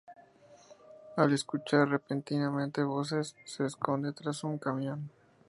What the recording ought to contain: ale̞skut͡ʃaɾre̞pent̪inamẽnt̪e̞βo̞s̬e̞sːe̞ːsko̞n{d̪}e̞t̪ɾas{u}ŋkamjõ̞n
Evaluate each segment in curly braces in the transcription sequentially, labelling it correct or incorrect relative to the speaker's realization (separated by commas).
correct, correct